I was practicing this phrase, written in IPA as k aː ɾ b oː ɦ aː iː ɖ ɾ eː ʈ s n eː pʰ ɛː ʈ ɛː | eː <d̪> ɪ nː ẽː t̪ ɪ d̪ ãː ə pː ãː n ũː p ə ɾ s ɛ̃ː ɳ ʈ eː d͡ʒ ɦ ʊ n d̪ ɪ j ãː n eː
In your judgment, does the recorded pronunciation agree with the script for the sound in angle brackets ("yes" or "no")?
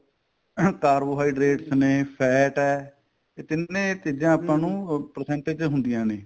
no